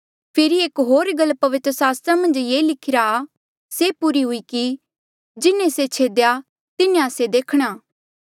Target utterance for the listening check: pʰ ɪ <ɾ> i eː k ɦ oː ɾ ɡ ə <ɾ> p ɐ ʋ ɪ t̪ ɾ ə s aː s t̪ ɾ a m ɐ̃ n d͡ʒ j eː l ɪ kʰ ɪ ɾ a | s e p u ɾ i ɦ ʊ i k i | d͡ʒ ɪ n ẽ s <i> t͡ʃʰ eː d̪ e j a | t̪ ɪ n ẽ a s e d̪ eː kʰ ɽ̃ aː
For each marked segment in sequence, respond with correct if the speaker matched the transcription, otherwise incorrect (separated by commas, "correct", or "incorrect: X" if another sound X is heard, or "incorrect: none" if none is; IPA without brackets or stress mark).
correct, incorrect: l, incorrect: e